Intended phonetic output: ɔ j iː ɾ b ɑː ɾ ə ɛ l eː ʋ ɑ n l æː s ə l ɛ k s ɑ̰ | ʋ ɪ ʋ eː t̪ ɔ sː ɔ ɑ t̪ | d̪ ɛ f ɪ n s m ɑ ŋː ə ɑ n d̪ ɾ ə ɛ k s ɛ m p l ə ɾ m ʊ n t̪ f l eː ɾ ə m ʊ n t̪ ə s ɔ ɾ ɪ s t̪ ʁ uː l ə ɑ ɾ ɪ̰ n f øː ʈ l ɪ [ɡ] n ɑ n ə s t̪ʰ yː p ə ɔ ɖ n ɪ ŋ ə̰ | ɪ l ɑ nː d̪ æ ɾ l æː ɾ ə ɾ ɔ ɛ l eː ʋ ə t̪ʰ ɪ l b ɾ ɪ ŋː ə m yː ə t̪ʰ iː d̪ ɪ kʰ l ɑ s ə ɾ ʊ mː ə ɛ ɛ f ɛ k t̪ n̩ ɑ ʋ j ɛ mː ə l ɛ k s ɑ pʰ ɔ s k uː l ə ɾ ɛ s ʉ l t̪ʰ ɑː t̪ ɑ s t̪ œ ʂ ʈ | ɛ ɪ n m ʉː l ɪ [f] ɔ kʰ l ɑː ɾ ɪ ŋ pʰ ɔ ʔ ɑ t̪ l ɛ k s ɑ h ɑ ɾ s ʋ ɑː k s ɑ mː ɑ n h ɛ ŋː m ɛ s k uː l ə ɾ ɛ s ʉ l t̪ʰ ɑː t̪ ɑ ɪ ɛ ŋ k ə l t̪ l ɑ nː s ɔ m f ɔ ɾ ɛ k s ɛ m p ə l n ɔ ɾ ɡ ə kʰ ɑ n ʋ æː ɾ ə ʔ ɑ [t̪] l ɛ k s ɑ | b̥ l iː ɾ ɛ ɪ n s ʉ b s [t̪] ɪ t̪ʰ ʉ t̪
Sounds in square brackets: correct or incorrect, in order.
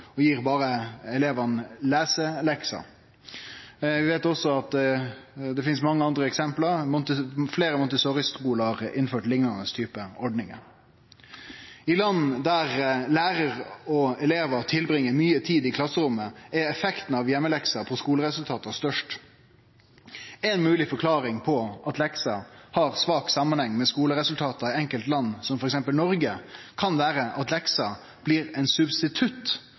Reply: incorrect: ŋ, correct, correct, correct

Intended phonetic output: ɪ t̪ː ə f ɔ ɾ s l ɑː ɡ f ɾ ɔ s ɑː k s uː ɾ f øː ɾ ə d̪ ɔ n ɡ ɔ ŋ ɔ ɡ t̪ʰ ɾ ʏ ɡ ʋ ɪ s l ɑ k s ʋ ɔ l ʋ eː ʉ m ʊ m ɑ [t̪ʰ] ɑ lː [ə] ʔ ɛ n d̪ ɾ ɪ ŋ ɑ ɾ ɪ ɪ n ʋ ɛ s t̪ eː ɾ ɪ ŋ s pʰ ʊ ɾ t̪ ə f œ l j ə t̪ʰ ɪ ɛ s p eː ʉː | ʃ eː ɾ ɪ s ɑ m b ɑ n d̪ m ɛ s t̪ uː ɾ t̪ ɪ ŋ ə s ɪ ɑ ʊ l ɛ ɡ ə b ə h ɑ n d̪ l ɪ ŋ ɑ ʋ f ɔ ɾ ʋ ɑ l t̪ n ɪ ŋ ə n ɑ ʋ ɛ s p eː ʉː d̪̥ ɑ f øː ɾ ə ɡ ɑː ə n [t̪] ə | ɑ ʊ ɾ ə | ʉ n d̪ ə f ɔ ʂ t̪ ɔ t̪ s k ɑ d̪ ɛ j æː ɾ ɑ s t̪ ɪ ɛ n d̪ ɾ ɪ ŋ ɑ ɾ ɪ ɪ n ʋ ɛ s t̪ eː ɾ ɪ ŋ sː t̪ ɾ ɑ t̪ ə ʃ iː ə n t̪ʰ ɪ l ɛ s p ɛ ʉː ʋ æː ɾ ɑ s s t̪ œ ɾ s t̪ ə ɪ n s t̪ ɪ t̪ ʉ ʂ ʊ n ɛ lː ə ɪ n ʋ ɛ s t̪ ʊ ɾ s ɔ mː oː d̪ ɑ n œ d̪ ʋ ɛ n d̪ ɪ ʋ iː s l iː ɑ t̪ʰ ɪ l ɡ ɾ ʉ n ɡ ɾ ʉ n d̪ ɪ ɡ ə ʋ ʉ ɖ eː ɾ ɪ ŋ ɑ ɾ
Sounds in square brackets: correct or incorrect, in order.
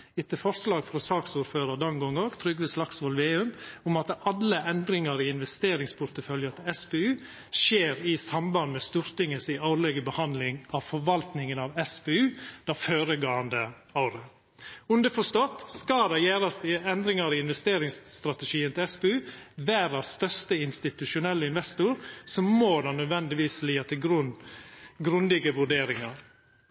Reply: incorrect: t̪, correct, incorrect: d̪

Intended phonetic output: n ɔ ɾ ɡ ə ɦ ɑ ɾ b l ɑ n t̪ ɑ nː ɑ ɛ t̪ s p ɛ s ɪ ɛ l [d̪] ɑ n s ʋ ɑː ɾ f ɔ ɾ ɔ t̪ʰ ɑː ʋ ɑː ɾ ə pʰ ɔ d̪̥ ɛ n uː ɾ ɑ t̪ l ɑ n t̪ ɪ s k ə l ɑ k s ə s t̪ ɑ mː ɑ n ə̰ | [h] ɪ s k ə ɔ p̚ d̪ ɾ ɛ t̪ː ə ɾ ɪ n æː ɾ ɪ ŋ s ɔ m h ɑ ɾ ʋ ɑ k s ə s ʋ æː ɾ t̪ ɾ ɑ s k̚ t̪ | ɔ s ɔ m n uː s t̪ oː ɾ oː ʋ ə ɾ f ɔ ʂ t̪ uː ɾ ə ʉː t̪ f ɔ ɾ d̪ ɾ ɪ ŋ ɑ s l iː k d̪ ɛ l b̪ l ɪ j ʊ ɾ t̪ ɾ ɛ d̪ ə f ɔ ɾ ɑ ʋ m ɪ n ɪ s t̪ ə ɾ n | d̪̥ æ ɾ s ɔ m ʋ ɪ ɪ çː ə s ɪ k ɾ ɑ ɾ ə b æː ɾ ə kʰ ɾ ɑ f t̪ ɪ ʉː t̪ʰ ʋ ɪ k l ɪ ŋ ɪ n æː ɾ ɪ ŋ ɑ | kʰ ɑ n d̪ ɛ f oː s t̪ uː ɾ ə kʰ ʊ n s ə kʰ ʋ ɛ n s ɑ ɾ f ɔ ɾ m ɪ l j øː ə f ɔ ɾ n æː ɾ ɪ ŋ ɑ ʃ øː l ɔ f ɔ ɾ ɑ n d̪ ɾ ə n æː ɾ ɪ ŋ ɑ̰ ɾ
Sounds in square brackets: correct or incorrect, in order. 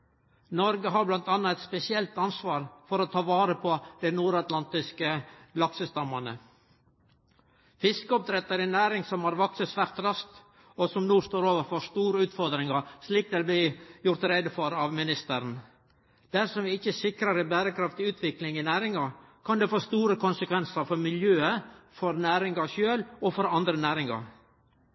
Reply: incorrect: t̪, incorrect: f

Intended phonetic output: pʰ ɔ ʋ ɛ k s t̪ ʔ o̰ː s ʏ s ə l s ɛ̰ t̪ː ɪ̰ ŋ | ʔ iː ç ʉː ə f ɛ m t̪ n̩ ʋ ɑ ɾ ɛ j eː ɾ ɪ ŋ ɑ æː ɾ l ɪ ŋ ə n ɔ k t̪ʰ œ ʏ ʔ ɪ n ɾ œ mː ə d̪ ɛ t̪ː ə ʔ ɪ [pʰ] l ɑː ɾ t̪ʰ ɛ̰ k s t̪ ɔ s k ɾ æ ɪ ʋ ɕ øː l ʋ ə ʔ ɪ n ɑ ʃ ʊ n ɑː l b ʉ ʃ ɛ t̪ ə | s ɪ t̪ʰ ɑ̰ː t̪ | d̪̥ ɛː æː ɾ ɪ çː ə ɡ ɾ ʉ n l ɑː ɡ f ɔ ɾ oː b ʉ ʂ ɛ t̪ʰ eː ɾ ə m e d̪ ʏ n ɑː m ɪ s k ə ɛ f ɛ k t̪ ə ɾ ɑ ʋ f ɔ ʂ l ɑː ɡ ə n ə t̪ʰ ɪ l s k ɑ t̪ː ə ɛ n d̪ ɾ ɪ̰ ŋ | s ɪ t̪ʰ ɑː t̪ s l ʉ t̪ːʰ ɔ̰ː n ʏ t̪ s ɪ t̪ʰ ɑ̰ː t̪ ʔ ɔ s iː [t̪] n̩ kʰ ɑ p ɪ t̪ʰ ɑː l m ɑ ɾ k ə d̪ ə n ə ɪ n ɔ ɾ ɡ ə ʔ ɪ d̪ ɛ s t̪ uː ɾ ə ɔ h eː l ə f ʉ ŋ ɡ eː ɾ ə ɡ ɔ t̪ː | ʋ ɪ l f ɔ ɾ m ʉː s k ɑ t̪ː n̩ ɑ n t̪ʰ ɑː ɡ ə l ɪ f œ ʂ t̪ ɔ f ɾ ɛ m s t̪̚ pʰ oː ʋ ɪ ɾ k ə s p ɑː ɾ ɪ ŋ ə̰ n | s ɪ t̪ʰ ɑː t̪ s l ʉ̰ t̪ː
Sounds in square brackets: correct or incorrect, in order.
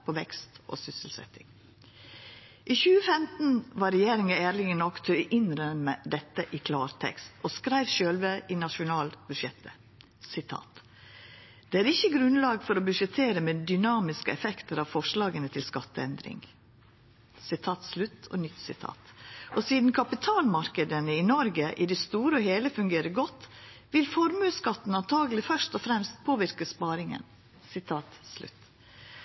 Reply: incorrect: kʰ, incorrect: d̪

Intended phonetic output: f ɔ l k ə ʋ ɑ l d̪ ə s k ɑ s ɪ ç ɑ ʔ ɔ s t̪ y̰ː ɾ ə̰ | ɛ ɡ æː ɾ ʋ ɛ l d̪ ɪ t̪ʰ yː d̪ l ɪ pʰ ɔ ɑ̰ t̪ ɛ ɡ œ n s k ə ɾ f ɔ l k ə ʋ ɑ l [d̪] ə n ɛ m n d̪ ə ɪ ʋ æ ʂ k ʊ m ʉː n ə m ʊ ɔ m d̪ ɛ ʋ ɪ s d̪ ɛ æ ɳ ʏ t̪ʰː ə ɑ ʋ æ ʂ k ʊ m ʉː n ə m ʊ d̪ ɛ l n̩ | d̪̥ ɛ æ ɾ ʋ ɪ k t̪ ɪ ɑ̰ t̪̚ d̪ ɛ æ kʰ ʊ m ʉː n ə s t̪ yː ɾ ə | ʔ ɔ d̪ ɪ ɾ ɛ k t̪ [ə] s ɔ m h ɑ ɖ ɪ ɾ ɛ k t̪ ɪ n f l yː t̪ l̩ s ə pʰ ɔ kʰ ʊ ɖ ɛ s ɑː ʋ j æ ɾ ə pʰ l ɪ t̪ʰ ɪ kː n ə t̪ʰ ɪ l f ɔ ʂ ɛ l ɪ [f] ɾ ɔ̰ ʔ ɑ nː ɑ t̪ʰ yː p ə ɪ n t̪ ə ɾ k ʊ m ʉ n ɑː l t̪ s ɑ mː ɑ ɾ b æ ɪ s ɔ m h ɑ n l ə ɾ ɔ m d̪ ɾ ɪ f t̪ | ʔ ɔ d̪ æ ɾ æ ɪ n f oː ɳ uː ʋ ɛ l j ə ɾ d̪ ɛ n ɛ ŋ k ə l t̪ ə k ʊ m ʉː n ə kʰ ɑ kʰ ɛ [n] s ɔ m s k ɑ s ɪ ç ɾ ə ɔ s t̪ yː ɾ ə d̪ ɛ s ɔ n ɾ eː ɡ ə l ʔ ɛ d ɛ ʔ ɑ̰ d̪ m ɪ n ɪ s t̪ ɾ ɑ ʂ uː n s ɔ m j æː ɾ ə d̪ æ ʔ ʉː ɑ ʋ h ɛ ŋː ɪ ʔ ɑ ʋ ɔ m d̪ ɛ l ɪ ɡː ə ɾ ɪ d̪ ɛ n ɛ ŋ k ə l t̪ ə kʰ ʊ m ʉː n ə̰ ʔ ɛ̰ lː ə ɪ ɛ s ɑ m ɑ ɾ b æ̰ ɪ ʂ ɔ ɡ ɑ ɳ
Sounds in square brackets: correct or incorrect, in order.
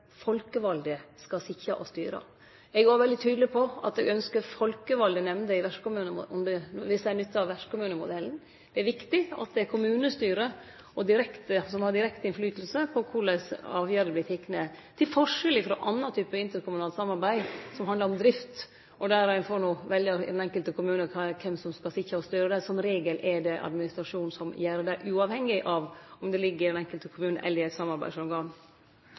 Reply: correct, correct, correct, incorrect: m

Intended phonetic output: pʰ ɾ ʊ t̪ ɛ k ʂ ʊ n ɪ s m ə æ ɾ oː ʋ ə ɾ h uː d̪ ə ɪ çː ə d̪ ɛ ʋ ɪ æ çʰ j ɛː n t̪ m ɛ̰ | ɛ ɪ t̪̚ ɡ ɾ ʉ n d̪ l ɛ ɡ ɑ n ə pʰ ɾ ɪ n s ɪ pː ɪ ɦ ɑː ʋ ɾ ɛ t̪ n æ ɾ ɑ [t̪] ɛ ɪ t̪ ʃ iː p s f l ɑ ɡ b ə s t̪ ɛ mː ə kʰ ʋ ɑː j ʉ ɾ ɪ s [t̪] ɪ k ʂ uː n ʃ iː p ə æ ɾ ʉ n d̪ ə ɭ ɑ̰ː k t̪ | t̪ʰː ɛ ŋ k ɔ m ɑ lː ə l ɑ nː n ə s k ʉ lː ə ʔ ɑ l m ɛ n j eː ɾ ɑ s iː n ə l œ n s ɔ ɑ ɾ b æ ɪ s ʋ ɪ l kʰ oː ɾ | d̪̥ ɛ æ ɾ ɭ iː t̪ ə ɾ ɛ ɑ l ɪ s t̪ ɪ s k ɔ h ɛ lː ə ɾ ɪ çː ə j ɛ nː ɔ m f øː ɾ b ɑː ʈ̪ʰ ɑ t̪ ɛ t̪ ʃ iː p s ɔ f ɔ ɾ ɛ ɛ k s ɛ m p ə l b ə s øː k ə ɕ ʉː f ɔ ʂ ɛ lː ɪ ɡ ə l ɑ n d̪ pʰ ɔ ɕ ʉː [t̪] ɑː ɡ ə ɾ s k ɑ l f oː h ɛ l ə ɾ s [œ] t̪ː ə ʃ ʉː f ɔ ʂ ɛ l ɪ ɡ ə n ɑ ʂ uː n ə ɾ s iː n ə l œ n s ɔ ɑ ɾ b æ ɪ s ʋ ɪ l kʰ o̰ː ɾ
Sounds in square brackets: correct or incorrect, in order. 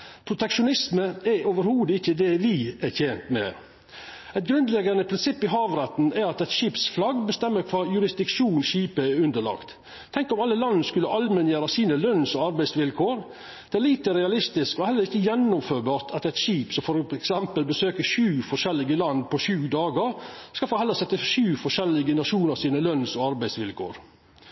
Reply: correct, incorrect: d̪, incorrect: d̪, incorrect: ɛ

